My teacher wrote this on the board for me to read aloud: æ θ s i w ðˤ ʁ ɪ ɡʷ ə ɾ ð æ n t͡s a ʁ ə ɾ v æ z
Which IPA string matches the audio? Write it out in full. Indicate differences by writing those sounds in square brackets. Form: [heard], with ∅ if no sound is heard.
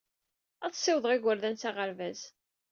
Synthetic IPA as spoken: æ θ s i w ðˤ ʁ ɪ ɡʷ ə ɾ ð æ n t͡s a ʁ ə ɾ v æ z